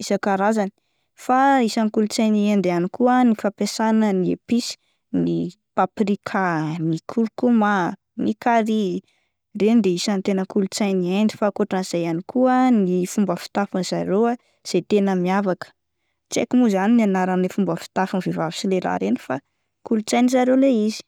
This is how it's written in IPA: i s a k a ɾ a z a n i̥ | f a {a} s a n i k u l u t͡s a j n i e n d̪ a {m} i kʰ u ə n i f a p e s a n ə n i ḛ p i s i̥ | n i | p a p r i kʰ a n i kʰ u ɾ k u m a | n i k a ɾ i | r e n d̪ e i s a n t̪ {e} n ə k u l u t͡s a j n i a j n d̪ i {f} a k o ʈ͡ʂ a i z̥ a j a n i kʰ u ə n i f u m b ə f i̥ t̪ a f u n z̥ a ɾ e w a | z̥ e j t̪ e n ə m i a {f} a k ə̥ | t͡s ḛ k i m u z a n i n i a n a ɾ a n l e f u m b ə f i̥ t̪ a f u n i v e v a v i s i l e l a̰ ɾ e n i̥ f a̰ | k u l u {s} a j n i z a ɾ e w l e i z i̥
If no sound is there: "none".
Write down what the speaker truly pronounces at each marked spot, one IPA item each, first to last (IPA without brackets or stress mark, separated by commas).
i, n, e, f, v, t͡s